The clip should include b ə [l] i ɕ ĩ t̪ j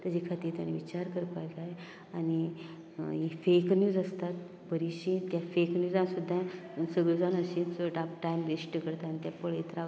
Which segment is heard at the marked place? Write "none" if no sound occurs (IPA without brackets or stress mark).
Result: ɾ